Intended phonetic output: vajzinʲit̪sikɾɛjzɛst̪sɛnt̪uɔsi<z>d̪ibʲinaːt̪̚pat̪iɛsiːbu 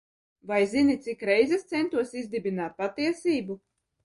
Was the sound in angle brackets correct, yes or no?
yes